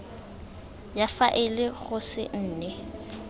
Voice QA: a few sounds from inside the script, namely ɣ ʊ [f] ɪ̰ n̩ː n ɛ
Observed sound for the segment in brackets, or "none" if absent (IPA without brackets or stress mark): s